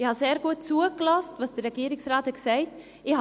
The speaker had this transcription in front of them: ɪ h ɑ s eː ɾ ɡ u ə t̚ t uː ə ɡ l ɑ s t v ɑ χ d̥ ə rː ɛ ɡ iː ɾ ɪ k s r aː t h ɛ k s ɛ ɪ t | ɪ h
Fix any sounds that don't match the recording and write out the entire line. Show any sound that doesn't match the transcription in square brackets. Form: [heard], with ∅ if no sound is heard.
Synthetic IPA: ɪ h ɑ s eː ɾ ɡ u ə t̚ [t͡s] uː ə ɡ l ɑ s t v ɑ [s] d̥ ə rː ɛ ɡ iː ɾ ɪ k s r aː t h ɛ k s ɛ ɪ t | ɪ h